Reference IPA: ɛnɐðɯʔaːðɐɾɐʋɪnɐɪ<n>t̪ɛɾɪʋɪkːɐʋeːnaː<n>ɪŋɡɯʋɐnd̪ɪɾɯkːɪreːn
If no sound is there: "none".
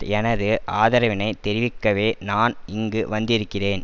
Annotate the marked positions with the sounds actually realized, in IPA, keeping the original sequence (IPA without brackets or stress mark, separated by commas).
none, n